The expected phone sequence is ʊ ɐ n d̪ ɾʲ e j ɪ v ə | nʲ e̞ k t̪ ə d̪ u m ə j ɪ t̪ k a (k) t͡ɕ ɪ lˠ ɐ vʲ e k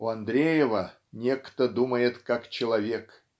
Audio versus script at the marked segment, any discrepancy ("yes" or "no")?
no